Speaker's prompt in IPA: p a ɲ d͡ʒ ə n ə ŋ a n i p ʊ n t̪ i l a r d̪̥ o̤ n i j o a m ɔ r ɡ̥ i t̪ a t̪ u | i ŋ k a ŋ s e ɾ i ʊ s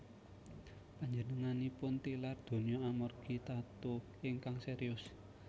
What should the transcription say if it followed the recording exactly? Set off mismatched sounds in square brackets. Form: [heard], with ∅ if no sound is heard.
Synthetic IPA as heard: p a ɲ d͡ʒ ə n ə ŋ a n i p ʊ n t̪ i l a r d̪̥ o̤ n i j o a m ɔ r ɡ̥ i t̪ a t̪ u | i ŋ k a ŋ s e ɾ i ʊ s